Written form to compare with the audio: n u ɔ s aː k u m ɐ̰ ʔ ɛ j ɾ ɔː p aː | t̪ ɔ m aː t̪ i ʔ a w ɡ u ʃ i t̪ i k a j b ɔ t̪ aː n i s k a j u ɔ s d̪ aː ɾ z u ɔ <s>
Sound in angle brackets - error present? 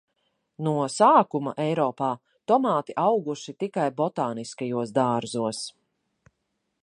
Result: no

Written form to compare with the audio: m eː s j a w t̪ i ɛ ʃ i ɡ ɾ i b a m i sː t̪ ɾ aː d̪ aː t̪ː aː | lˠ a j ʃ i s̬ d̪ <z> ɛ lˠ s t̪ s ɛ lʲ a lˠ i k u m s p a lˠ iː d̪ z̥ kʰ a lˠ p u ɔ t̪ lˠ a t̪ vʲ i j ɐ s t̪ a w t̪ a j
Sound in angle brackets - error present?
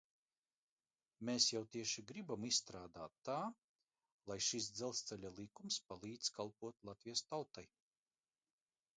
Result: no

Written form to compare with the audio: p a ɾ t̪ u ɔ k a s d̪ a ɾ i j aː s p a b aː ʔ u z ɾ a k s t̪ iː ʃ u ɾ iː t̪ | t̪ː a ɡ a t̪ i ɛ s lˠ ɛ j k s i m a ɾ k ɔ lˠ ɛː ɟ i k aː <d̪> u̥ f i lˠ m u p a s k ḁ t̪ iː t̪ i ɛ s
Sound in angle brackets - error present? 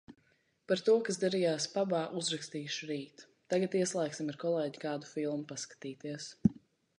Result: no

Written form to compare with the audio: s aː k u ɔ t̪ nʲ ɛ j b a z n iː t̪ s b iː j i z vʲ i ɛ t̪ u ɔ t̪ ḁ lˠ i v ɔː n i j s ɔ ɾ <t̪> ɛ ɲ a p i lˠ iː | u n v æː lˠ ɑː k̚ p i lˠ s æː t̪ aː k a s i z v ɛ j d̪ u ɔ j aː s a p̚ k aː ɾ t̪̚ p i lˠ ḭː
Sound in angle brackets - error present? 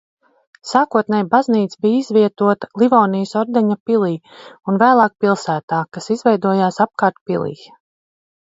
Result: yes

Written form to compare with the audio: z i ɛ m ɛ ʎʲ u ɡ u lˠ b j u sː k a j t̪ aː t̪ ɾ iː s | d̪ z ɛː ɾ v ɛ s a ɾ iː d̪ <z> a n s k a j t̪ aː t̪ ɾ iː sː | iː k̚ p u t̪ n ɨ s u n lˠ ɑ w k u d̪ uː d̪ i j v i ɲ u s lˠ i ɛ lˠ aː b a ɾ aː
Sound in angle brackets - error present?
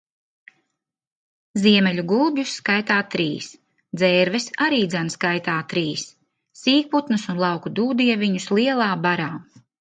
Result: no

